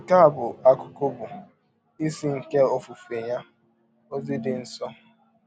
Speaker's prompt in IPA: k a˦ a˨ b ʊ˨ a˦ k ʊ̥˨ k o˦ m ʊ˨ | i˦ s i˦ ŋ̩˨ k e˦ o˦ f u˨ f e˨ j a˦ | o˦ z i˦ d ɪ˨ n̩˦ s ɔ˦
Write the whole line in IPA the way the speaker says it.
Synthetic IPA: k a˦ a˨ b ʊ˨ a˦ k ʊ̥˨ k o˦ b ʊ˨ | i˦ s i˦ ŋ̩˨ k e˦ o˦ f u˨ f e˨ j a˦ | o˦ z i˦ d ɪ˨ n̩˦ s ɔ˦